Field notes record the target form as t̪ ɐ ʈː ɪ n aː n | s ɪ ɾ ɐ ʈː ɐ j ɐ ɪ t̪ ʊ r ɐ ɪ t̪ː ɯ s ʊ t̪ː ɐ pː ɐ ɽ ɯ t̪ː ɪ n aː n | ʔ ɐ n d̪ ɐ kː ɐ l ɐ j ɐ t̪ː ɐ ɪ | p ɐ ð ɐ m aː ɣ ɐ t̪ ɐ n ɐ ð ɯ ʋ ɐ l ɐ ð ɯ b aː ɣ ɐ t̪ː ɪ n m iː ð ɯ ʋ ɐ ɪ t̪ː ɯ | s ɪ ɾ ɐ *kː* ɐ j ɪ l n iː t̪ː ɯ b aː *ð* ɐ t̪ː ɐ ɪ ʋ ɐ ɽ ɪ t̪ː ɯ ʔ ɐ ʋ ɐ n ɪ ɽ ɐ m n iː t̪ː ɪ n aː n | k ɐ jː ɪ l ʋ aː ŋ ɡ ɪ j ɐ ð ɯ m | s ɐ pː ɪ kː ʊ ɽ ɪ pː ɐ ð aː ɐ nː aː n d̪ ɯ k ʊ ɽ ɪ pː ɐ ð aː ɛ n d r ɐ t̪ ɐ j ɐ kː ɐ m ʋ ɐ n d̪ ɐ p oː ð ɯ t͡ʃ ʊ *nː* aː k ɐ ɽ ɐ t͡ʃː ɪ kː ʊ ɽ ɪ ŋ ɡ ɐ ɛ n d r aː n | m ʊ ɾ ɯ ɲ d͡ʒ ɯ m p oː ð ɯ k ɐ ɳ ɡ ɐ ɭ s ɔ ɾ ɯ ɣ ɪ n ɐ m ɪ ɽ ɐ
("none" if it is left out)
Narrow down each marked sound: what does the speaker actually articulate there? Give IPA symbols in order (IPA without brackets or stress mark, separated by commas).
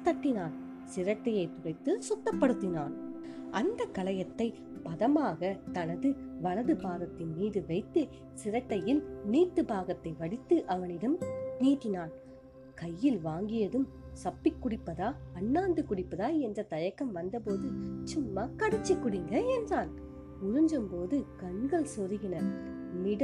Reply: ʈː, ɣ, mː